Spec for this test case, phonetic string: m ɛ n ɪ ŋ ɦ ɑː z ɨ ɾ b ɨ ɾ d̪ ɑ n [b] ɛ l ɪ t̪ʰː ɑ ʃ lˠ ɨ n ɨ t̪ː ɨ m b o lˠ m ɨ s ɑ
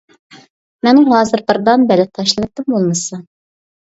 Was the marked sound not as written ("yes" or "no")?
no